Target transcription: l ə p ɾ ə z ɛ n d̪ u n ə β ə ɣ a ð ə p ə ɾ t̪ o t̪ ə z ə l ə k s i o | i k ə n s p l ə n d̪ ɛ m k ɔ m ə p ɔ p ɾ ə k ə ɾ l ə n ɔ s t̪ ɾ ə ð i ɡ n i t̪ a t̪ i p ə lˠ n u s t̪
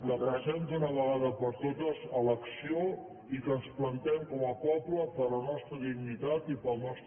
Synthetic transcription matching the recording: l ə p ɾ ə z ɛ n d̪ u n ə β ə ɣ a ð ə p ə ɾ t̪ o t̪ ə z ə l ə k s i o | i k ə n s p l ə n t̪ ɛ m k ɔ m ə p ɔ p l ə p ə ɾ l ə n ɔ s t̪ ɾ ə ð i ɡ n i t̪ a t̪ i p ə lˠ n ɔ s t̪